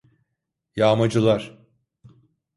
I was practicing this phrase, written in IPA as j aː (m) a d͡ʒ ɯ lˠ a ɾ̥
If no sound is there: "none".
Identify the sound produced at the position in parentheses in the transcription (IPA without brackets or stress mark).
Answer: m